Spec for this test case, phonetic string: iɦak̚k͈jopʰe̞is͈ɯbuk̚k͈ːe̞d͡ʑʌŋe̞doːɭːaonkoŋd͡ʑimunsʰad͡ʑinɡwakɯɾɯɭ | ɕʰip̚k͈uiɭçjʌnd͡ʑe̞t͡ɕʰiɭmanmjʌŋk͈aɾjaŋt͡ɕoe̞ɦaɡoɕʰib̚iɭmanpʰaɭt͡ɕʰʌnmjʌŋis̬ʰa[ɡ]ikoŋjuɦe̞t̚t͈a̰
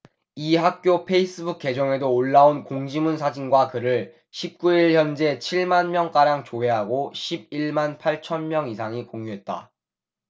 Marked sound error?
yes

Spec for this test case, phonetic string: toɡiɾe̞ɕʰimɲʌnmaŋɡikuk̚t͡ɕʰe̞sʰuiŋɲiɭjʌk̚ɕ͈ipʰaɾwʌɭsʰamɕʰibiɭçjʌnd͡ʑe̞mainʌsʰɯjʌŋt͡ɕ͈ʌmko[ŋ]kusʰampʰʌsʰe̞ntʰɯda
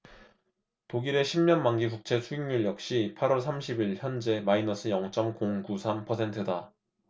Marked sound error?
no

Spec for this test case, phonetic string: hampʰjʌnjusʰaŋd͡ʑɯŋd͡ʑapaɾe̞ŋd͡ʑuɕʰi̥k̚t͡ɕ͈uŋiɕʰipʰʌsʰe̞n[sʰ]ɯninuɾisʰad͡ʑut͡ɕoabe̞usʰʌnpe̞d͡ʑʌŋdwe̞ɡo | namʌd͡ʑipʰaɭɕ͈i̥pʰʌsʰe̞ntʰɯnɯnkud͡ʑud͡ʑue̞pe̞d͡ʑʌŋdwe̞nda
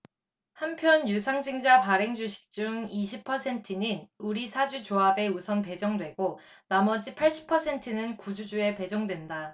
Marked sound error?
yes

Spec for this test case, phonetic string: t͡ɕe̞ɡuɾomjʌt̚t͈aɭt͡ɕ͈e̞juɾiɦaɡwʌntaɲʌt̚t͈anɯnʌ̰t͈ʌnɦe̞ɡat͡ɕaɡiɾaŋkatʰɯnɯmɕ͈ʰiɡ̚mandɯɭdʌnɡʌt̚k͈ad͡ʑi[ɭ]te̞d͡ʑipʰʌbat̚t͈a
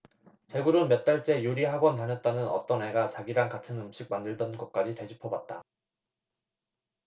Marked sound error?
yes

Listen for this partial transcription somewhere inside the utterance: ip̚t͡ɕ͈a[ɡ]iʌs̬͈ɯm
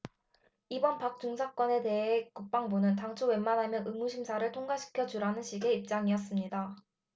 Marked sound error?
yes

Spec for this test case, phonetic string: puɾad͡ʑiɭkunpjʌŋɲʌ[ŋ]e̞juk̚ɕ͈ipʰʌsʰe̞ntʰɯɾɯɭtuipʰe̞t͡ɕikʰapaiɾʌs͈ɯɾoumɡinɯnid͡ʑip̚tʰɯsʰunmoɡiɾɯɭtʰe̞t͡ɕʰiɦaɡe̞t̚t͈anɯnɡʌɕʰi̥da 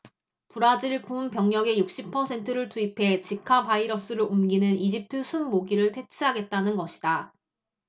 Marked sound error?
yes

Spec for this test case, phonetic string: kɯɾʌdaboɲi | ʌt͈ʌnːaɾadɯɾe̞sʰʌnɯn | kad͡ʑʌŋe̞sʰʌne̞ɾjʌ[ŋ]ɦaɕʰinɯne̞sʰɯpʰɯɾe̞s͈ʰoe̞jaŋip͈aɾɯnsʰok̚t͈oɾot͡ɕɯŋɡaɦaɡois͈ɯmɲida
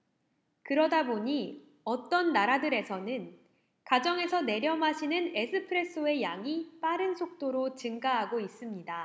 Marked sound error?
yes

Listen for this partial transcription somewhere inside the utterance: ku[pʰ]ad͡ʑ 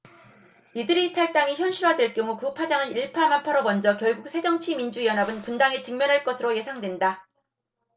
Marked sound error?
no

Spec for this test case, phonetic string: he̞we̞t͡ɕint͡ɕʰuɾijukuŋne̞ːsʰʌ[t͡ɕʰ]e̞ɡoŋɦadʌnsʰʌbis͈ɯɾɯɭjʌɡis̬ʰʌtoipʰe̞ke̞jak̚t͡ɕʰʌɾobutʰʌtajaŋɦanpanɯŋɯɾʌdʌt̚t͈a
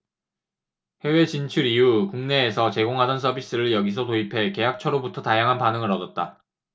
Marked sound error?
yes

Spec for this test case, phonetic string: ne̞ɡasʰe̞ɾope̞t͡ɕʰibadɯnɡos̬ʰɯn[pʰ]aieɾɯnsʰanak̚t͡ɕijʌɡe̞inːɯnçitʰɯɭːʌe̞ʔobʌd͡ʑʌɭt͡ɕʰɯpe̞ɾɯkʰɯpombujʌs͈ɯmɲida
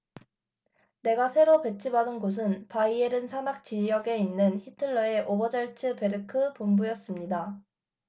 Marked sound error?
yes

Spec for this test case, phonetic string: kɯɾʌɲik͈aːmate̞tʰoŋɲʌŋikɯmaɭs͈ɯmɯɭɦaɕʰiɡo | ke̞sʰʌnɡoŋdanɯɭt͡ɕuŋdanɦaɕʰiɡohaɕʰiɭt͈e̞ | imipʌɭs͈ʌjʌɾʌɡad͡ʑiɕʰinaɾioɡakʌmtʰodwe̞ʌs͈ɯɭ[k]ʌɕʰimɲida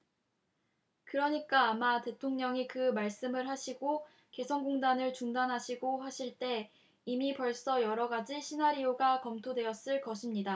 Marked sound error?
no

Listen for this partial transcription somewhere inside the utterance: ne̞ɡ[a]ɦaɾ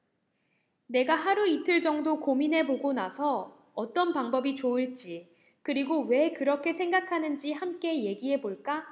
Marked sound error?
no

